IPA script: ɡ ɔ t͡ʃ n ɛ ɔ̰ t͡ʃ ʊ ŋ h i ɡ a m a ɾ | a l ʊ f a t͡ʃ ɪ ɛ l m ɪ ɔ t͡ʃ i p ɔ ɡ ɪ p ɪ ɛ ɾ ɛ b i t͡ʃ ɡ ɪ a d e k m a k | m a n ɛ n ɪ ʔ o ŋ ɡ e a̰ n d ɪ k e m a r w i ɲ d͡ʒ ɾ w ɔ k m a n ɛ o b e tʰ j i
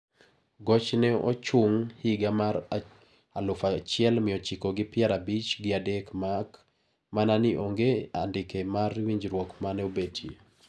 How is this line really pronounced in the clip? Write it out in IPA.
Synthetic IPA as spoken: ɡ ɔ t͡ʃ n ɛ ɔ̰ t͡ʃ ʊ ŋ h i ɡ a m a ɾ | a l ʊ f a t͡ʃ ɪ ɛ l m ɪ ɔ t͡ʃ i k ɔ ɡ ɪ p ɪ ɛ ɾ a b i t͡ʃ ɡ ɪ a d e k m a k | m a n a n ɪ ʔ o ŋ ɡ e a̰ n d ɪ k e m a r w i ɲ d͡ʒ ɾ w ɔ k m a n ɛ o b e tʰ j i